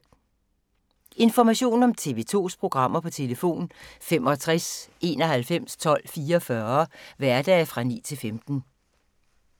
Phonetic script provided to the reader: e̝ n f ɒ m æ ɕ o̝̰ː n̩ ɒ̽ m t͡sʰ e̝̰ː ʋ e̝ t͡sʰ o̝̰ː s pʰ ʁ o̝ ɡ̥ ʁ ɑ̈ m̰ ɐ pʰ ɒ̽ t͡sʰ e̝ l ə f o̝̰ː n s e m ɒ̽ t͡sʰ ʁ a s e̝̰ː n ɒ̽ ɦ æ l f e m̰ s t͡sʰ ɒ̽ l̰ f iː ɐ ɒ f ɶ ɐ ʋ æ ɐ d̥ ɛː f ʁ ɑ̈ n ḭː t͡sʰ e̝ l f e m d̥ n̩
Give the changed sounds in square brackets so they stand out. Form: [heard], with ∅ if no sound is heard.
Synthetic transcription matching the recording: e̝ n f ɒ m æ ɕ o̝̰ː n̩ ɒ̽ m t͡sʰ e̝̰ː ʋ e̝ t͡sʰ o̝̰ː s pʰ ʁ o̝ ɡ̥ ʁ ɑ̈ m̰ ɐ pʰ ɒ̽ t͡sʰ e̝ l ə f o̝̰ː n [f] e m ɒ̽ t͡sʰ ʁ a s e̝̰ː n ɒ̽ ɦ æ l f e m̰ s t͡sʰ ɒ̽ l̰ f iː ɐ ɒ f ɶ ɐ ʋ æ ɐ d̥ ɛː f ʁ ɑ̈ n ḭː t͡sʰ e̝ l f e m d̥ n̩